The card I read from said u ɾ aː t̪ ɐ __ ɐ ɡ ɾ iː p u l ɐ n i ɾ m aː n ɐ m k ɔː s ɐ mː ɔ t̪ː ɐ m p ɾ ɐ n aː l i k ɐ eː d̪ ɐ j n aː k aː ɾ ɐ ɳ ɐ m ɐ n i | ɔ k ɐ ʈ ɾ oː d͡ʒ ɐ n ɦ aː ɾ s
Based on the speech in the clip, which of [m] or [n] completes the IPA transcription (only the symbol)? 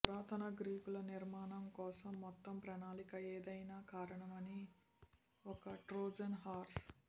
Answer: n